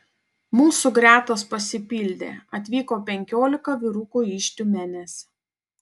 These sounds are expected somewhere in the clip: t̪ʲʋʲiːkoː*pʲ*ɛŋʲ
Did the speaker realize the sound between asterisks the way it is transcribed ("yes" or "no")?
yes